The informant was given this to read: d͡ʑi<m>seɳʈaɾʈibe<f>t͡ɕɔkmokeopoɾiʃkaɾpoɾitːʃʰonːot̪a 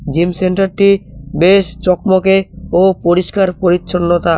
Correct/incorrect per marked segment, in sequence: correct, incorrect: ʃ

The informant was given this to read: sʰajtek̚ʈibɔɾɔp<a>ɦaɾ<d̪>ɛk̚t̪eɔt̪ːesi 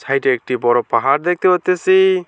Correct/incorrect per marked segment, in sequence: correct, correct

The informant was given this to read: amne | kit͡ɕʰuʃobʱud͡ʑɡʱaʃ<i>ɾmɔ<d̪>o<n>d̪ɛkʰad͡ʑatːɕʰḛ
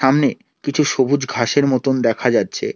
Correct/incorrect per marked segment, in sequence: incorrect: e, incorrect: t̪, correct

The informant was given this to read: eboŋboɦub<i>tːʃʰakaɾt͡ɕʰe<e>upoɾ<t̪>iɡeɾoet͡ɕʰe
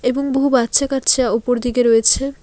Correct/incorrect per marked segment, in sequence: incorrect: a, incorrect: a, incorrect: d̪

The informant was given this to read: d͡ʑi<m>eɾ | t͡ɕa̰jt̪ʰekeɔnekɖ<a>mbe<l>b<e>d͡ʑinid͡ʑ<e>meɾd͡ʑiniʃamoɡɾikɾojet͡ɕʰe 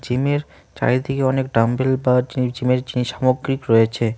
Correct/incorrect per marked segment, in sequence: correct, correct, correct, incorrect: a, incorrect: i

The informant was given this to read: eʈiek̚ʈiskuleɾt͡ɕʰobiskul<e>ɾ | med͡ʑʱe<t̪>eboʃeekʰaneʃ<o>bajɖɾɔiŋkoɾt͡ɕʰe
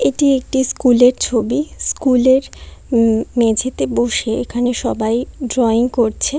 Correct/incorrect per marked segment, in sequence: correct, correct, incorrect: ɔ

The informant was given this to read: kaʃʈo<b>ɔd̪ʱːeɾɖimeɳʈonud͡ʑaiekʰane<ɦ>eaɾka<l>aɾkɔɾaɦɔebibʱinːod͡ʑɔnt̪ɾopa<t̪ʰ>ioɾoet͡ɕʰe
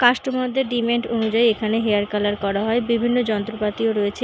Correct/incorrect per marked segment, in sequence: incorrect: m, correct, correct, incorrect: t̪

